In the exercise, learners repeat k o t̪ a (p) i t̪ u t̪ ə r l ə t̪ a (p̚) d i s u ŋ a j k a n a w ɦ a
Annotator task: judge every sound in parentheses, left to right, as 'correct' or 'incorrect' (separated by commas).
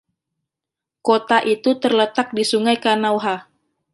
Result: incorrect, incorrect